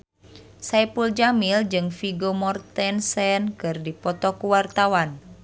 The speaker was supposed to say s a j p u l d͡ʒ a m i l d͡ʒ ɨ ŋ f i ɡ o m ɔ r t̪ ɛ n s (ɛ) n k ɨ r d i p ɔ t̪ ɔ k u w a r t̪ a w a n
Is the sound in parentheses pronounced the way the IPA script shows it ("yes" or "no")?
yes